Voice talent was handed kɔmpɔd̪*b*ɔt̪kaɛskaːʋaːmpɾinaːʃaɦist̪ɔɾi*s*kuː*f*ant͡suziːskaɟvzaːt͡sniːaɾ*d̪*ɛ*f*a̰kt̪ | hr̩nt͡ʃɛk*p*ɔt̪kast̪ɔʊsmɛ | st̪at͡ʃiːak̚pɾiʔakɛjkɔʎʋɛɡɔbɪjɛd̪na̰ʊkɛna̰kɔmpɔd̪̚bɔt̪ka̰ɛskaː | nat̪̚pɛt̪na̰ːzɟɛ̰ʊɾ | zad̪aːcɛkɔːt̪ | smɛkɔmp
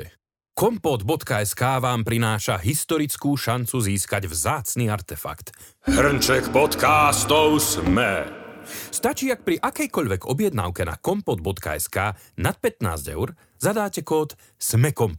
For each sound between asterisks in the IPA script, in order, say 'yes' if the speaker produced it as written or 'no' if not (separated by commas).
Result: yes, no, no, no, yes, yes